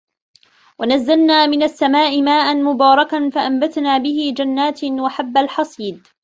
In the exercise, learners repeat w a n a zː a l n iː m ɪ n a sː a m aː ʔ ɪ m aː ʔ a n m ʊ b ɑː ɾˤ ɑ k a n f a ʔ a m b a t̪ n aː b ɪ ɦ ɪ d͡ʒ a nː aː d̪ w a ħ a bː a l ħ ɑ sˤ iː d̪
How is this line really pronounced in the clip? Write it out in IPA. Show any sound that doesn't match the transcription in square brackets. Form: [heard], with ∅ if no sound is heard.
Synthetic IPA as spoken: w a n a zː a l n [aː] m ɪ n a sː a m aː ʔ ɪ m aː ʔ a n m ʊ b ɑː ɾˤ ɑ k a n f a ʔ a m b a t̪ n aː b ɪ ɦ ɪ d͡ʒ a nː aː [t̪] w a ħ a bː a l ħ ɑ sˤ iː d̪